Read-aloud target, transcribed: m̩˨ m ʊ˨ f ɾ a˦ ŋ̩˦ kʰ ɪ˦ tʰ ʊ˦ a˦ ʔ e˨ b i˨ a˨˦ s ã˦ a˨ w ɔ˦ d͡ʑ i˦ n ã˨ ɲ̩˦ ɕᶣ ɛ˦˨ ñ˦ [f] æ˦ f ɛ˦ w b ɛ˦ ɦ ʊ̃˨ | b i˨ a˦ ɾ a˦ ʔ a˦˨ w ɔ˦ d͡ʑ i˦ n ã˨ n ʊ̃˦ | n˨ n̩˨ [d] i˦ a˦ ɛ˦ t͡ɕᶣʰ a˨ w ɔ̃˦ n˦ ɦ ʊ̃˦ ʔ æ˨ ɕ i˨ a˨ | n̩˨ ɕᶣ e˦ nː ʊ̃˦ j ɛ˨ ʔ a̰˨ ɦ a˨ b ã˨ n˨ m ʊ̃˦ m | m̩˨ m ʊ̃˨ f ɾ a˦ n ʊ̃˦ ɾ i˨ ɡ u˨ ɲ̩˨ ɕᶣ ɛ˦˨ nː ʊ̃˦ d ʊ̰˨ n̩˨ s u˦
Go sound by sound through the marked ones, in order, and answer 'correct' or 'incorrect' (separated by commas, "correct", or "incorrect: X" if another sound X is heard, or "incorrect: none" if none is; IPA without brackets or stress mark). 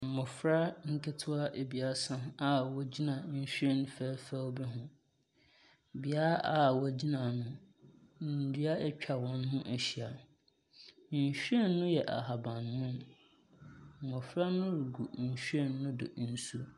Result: correct, correct